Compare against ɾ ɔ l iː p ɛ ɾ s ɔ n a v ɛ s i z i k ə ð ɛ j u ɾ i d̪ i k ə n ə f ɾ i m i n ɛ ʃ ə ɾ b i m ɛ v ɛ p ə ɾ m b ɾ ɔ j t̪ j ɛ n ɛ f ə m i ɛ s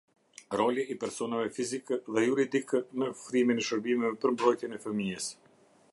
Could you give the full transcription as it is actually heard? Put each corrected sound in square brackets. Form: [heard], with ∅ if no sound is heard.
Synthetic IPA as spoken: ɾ ɔ l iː p ɛ ɾ s ɔ n a v ɛ [f] i z i k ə ð ɛ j u ɾ i d̪ i k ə n ə f ɾ i m i n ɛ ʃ ə ɾ b i m ɛ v ɛ p ə ɾ m b ɾ ɔ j t̪ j ɛ n ɛ f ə m i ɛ s